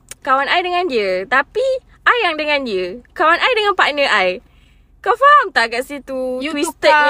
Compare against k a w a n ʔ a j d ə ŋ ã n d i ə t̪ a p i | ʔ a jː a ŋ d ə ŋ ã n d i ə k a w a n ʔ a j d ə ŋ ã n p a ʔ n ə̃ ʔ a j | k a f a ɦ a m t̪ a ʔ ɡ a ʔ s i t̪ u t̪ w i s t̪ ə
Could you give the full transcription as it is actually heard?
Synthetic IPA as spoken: k a w a n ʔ a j d ə ŋ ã n d i ə t̪ a p i | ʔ a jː a ŋ d ə ŋ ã n d i ə k a w a n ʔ a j d ə ŋ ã n p a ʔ n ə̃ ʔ a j | k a f a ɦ a m t̪ a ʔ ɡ a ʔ s i t̪ u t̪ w i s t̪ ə